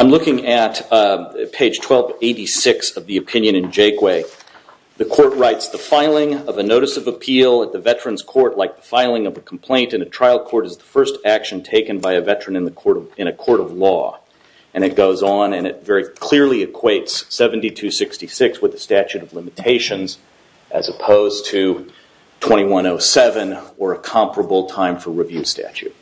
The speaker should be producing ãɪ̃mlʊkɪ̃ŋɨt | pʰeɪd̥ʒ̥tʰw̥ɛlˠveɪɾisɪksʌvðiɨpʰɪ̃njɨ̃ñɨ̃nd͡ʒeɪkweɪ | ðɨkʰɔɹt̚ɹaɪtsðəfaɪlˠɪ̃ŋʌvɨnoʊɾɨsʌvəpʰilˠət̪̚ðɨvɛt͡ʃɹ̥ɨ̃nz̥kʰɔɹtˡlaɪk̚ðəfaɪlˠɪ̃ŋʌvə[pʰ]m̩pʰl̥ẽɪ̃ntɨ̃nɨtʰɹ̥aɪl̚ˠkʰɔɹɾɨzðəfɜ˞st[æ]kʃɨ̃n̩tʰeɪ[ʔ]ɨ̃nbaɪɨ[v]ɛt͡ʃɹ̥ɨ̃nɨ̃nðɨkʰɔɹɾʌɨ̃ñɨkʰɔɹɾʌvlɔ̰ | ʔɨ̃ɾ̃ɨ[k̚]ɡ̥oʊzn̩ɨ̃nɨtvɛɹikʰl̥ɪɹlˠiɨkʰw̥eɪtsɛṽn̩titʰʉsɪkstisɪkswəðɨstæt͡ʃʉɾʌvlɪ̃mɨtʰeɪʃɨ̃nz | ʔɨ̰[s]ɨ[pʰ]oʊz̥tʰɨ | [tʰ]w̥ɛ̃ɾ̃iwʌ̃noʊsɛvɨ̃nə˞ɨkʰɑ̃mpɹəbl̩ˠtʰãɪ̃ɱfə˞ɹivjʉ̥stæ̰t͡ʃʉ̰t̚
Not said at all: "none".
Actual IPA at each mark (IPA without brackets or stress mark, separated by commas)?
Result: kʰ, æ, k, v, t̚, z, pʰ, tʰ